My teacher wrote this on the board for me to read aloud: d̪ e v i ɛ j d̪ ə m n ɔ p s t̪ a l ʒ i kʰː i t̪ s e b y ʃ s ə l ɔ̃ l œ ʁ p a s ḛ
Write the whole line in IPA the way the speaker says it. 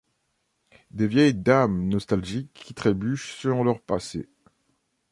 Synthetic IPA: d̪ e v j ɛ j d̪ a m n ɔ s t̪ a l ʒ i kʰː i t̪ χ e b y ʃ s ə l ɔ̃ l œ ʁ p a s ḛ